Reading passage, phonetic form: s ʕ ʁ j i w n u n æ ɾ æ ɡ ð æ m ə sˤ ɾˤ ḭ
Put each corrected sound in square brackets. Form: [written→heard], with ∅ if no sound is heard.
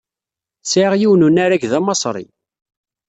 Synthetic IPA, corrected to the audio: s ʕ ʁ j i w n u n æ ɾ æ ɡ ð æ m [ə→ɑ] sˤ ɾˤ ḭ